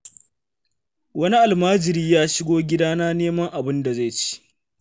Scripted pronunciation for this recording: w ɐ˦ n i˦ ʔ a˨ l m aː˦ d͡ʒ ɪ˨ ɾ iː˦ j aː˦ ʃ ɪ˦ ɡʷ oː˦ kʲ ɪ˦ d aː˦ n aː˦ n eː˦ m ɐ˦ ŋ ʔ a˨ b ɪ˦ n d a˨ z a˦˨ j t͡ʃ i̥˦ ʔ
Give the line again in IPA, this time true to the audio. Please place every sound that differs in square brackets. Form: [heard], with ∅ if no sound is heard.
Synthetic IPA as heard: w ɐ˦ n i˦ ʔ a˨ l m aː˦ d͡ʒ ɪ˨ ɾ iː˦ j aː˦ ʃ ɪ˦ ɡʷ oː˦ [ɡʲ] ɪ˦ d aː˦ n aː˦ n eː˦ m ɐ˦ ŋ ʔ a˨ b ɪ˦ n d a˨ z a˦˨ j t͡ʃ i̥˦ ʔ